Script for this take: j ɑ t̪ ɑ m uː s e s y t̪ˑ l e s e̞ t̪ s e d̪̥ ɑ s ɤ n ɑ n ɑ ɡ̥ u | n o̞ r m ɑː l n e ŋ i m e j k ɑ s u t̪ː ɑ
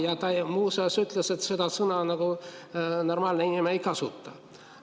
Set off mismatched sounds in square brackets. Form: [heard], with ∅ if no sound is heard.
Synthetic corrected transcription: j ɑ t̪ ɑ m uː s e s y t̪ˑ l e s e̞ t̪ s e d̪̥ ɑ s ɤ n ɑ n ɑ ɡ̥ u | n o̞ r m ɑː l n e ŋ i m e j k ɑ s u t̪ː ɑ